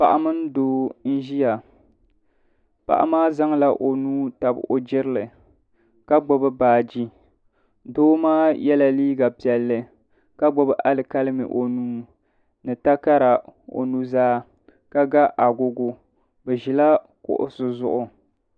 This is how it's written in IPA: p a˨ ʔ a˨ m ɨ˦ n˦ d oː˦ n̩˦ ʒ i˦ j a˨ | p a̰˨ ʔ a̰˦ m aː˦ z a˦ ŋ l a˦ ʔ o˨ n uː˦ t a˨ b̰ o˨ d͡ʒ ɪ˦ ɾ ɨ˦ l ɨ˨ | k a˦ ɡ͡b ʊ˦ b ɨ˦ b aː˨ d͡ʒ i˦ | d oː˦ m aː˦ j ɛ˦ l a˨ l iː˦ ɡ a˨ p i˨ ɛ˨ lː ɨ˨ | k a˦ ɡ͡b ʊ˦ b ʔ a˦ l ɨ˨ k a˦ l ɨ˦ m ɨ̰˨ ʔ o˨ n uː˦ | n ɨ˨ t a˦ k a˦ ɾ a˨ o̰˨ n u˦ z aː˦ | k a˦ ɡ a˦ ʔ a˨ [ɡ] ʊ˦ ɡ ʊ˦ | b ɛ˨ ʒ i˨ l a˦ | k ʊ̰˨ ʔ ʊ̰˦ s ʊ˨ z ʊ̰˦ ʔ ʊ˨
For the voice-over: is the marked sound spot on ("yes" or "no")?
yes